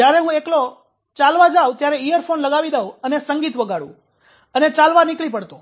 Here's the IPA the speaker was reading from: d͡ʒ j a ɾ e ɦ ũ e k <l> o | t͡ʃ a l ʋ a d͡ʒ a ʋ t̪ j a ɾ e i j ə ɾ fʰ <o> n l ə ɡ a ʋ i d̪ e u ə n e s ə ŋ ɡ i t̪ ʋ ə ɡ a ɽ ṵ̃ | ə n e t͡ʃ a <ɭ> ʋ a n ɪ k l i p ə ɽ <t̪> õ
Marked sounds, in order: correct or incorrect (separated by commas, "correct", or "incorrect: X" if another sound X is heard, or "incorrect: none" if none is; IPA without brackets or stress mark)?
correct, correct, incorrect: l, correct